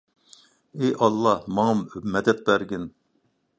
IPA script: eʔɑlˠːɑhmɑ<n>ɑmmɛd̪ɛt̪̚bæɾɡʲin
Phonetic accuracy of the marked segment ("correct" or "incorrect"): incorrect